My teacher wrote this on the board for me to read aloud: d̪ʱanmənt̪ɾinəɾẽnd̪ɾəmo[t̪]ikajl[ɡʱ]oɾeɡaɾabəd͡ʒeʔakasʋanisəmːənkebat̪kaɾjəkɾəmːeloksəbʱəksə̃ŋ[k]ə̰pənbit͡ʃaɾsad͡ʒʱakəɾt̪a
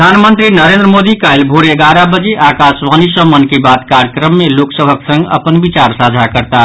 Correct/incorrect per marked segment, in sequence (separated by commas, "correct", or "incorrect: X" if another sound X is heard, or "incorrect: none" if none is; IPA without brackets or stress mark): incorrect: d̪, incorrect: bʱ, incorrect: ɡ